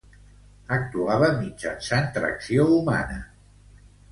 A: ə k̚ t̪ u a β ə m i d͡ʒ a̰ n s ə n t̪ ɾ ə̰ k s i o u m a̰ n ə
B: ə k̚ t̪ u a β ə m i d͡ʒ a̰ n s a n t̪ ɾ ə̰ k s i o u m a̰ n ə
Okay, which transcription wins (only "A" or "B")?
B